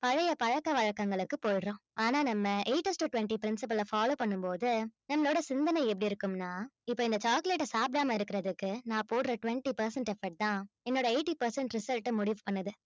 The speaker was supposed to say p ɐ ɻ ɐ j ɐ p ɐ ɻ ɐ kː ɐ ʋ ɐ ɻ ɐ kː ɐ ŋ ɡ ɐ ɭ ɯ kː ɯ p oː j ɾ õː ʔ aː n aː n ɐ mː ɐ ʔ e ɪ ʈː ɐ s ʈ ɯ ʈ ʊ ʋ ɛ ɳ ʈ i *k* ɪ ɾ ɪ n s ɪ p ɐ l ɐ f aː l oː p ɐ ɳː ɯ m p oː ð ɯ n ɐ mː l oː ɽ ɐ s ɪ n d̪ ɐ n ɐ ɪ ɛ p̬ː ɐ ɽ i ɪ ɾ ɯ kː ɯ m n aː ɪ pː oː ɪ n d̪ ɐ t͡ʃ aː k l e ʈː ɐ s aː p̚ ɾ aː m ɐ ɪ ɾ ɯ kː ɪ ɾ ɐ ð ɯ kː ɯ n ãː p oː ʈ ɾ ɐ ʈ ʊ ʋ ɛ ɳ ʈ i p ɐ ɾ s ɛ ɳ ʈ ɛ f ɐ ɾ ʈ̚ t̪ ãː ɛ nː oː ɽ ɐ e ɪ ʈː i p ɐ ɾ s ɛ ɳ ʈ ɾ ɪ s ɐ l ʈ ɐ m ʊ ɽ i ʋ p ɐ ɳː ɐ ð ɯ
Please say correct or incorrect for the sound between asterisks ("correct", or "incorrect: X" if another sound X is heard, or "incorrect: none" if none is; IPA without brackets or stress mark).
incorrect: p